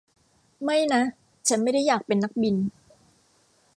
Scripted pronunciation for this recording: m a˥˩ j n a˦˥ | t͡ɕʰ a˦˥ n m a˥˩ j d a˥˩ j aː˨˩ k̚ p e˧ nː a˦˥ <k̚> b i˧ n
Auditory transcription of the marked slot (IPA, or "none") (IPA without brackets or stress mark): k̚